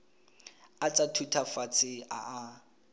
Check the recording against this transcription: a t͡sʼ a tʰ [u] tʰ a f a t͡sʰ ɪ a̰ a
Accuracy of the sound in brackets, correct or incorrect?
correct